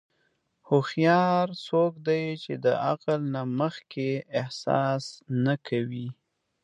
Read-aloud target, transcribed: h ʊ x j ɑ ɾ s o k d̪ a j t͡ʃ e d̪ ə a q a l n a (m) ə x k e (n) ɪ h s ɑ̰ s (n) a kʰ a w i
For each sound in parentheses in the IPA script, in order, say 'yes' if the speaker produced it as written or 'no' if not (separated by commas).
yes, no, yes